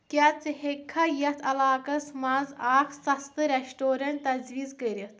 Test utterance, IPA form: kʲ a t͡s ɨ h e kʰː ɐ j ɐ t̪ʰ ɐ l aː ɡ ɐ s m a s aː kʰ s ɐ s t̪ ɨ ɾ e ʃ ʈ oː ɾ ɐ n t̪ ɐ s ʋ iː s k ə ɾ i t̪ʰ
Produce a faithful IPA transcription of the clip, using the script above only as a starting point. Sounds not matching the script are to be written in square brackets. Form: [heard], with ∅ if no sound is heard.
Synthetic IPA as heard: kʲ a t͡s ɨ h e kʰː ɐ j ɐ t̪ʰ ɐ l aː [k] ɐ s m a [z] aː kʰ s ɐ s t̪ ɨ ɾ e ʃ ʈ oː ɾ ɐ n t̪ ɐ [z] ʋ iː [z] k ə ɾ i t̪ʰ